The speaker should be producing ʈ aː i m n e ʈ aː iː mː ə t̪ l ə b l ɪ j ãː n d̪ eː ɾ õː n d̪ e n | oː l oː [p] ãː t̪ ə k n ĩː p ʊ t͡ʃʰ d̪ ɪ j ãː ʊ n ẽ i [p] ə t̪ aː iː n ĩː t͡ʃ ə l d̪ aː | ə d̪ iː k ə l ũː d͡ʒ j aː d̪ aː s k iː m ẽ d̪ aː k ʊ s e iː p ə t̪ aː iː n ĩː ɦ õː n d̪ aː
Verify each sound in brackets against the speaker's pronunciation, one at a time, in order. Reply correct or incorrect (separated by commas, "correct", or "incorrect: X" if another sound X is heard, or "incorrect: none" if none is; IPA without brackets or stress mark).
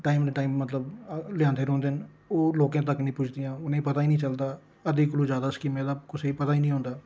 incorrect: k, correct